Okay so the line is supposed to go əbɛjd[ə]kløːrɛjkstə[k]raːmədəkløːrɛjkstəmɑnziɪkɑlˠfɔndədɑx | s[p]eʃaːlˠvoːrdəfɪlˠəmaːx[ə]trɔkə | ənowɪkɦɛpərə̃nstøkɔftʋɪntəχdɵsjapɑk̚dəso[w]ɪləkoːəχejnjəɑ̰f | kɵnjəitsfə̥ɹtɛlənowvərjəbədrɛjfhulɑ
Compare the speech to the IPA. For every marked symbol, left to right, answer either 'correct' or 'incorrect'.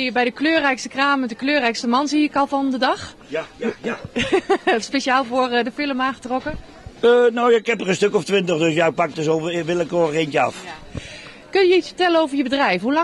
correct, correct, correct, correct, incorrect

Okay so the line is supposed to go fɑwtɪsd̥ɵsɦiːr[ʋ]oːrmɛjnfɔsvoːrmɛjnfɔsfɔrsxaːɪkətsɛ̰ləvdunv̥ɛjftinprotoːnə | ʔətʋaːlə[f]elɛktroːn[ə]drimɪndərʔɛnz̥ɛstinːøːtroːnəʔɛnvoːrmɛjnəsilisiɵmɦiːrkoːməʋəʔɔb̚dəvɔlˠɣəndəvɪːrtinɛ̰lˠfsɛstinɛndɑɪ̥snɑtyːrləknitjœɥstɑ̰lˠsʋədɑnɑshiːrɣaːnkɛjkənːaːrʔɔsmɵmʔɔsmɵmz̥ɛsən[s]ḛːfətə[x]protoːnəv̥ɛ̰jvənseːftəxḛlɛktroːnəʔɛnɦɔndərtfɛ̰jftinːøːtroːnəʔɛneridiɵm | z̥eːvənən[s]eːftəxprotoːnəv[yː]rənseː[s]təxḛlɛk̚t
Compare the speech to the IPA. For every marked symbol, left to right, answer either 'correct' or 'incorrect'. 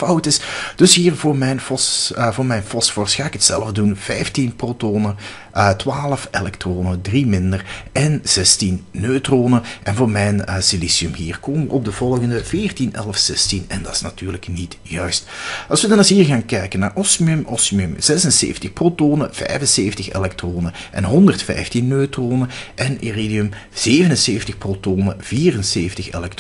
incorrect, correct, correct, correct, correct, correct, incorrect, incorrect

